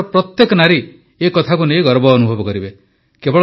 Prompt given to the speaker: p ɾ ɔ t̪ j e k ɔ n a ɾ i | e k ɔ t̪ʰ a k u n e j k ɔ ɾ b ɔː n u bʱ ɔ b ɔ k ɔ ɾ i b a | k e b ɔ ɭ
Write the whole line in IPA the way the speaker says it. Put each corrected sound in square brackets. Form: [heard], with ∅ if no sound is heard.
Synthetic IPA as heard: p ɾ ɔ t̪ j e k ɔ n a ɾ i | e k ɔ t̪ʰ a k u n e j [ɡ] ɔ ɾ b ɔː n u bʱ ɔ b ɔ k ɔ ɾ i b [e] | k e b ɔ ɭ

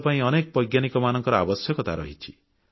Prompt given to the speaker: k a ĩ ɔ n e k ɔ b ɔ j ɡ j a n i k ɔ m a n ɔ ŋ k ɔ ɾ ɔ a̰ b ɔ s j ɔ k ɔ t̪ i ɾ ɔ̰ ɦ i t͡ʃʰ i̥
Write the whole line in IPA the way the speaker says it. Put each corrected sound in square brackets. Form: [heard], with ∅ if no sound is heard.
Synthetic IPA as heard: [p] a ĩ ɔ n e k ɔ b ɔ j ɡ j a n i k ɔ m a n ɔ ŋ k ɔ ɾ ɔ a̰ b ɔ s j ɔ k ɔ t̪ [a] ɾ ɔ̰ ɦ i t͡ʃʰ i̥

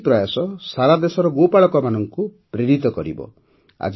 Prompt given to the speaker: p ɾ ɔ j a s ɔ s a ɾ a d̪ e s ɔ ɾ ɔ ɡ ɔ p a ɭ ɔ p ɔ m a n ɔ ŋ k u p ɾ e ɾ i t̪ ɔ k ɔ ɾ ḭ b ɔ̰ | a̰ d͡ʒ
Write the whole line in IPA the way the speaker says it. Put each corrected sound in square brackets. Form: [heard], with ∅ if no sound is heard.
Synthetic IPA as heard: p ɾ ɔ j a s ɔ s a ɾ a d̪ e s ɔ ɾ ɔ ɡ [o] p a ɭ ɔ [k] ɔ m a n ɔ ŋ k u p ɾ e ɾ i t̪ ɔ k ɔ ɾ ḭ b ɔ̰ | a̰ d͡ʒ

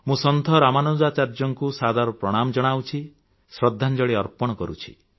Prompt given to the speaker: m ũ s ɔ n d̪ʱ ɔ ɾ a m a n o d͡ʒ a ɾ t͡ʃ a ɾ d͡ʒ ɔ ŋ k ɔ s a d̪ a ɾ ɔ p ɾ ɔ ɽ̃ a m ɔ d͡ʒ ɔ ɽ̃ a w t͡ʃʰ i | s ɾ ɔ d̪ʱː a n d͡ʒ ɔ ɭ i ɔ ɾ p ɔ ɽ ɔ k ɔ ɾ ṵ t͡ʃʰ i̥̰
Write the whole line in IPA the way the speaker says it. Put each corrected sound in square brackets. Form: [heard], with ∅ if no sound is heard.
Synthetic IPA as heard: m ũ s ɔ n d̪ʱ ɔ ɾ a m a n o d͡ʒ a [∅] t͡ʃ a ɾ d͡ʒ ɔ ŋ k [u] s a d̪ a ɾ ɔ p ɾ ɔ ɽ̃ a m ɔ d͡ʒ ɔ ɽ̃ a w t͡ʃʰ i | s ɾ ɔ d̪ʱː a n d͡ʒ ɔ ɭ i ɔ ɾ p ɔ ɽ ɔ k ɔ ɾ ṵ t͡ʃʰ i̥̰

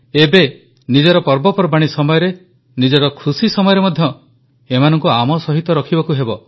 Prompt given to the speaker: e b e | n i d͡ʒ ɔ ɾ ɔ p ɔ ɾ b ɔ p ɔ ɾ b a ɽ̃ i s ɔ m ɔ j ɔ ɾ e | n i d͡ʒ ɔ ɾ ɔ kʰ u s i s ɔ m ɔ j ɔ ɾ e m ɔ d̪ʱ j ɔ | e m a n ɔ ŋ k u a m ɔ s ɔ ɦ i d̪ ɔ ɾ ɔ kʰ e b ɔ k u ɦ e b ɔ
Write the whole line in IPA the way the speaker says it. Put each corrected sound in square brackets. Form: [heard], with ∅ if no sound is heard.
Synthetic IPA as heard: e b e | n i d͡ʒ ɔ ɾ ɔ p ɔ ɾ b ɔ p ɔ ɾ b a ɽ̃ i s ɔ m ɔ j ɔ ɾ e | n i d͡ʒ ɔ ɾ ɔ kʰ u s i s ɔ m ɔ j ɔ ɾ e m ɔ d̪ʱ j ɔ | e m a n ɔ ŋ k u a m ɔ s ɔ ɦ i [t̪] ɔ ɾ ɔ kʰ [i] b ɔ k u ɦ e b ɔ

